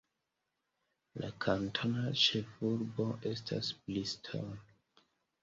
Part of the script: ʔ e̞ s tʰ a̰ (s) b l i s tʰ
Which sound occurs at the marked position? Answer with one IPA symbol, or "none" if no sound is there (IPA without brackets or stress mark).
s